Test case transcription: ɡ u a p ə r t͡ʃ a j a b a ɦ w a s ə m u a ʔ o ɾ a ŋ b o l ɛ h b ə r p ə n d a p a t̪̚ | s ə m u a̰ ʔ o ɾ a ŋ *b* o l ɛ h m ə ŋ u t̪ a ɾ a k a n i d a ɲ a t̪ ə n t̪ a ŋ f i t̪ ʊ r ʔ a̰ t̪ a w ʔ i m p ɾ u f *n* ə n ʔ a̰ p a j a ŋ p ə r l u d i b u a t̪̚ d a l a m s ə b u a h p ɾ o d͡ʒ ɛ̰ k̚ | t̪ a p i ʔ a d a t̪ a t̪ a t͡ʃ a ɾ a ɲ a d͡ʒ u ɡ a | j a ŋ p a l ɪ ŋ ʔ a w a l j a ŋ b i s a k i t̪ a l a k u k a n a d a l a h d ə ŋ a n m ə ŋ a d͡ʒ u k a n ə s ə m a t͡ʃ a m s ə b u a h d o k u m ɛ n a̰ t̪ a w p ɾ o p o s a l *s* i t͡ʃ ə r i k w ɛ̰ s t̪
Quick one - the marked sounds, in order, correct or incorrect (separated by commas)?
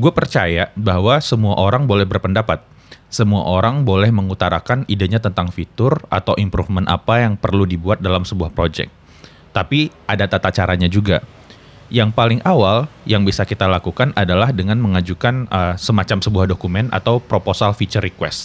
correct, incorrect, incorrect